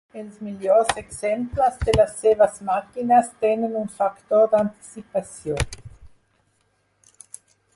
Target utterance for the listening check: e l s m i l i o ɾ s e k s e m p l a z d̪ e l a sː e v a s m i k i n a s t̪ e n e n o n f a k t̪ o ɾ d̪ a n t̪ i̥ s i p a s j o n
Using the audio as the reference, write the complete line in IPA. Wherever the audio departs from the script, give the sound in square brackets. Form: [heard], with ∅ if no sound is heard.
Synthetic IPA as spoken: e l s m i l [j] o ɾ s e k s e m p l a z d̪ e l a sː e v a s m [a] k i n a s t̪ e n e n [u] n f a k t̪ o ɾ d̪ a n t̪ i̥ s i p a s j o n